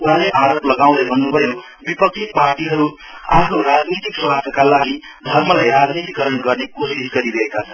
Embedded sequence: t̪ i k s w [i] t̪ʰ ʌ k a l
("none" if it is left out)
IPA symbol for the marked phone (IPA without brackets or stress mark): a